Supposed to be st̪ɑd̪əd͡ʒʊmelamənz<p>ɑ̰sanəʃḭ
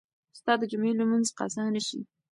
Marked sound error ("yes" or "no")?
yes